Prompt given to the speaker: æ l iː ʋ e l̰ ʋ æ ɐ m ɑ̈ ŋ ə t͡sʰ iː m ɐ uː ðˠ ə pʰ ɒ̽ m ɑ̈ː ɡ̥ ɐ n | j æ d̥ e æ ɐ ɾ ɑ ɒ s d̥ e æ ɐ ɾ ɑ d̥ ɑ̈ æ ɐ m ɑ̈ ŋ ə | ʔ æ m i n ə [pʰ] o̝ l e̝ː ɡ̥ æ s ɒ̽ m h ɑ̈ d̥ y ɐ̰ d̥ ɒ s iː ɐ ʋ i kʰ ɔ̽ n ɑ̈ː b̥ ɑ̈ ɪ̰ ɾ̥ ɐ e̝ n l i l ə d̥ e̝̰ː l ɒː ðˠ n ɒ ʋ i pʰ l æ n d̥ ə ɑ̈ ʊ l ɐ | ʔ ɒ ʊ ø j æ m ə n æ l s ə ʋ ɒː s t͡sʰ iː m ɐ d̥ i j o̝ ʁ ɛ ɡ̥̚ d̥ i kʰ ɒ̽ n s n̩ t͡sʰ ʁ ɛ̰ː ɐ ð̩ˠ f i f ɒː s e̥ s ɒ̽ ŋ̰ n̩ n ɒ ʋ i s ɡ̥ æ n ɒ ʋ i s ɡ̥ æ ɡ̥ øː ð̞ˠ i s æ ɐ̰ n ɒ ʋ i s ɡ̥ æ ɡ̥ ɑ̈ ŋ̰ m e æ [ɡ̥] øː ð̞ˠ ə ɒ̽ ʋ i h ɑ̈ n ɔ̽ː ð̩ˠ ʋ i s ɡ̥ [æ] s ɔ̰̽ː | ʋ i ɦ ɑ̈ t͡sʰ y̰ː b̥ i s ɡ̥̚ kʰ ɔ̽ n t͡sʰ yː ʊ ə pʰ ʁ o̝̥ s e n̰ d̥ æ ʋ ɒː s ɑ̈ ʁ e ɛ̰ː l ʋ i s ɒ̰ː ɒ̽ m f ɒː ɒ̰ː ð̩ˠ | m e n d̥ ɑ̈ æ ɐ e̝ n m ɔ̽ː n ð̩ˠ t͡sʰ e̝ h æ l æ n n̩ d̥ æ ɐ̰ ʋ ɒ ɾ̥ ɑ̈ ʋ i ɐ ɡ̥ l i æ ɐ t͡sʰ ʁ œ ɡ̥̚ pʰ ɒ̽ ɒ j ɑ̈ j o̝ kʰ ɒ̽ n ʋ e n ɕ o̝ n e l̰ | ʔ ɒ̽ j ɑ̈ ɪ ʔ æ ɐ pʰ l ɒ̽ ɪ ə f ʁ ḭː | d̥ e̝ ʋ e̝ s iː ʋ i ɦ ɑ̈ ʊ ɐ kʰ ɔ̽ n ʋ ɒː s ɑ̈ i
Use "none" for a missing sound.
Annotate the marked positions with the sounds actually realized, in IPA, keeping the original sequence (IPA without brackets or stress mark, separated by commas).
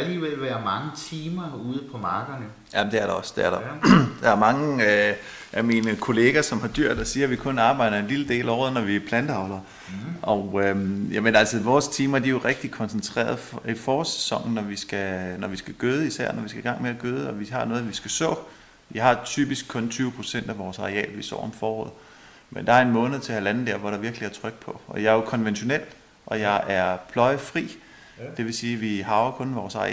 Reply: kʰ, ɡ̥, æ